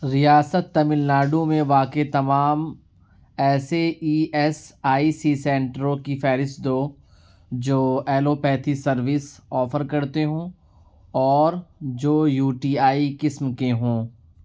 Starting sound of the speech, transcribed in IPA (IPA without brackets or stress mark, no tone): ɾ